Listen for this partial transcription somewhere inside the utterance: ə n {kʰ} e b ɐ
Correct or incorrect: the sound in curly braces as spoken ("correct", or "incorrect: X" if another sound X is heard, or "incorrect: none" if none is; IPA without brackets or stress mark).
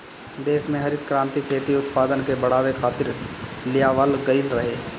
incorrect: k